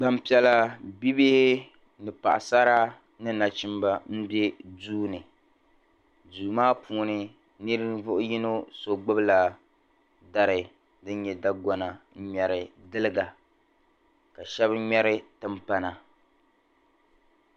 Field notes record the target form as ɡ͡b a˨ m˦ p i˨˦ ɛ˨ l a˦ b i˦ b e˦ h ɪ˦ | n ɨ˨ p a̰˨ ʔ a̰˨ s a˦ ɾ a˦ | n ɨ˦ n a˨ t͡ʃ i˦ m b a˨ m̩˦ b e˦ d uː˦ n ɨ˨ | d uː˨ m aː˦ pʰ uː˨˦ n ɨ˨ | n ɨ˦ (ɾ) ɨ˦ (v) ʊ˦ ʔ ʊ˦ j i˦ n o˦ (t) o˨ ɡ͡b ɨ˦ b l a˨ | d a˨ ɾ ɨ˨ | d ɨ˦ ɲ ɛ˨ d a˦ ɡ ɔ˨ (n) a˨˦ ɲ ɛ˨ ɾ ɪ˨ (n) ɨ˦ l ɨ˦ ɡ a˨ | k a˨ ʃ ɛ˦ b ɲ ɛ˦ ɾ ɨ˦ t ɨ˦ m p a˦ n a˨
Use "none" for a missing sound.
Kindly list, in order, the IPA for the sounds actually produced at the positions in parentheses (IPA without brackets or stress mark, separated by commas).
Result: ɾ, v, s, n, d